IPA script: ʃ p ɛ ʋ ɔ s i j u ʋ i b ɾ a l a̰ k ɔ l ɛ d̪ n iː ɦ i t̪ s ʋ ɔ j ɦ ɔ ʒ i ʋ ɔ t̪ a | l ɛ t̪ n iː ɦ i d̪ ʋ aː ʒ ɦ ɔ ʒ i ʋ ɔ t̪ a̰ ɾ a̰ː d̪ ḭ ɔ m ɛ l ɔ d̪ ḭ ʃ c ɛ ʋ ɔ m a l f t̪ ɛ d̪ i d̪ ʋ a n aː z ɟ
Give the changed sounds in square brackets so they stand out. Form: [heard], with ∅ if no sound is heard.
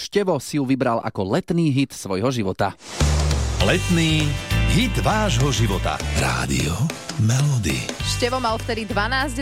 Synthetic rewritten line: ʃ [c] ɛ ʋ ɔ s i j u ʋ i b ɾ a l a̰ k ɔ l ɛ [t̪] n iː ɦ i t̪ s ʋ ɔ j ɦ ɔ ʒ i ʋ ɔ t̪ a | l ɛ t̪ n iː ɦ i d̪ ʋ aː ʒ ɦ ɔ ʒ i ʋ ɔ t̪ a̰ ɾ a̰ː d̪ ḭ ɔ m ɛ l ɔ d̪ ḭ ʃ c ɛ ʋ ɔ m a l f t̪ ɛ d̪ i d̪ ʋ a n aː z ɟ